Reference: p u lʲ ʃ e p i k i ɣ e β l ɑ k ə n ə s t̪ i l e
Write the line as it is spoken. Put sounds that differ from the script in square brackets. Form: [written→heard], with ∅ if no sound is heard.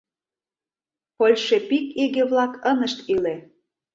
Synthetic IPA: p [u→o] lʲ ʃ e p i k i ɣ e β l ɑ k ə n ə [s→ʃ] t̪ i l e